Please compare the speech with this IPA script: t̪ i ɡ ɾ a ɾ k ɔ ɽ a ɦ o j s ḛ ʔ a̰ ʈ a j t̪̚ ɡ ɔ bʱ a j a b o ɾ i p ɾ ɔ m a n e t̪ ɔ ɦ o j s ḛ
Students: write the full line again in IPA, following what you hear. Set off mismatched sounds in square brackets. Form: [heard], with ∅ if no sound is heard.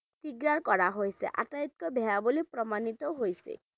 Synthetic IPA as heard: t̪ i ɡ ɾ a ɾ k ɔ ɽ a ɦ o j s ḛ ʔ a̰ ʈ a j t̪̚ [k] ɔ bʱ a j a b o [l] i p ɾ ɔ m a n [i] t̪ ɔ ɦ o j s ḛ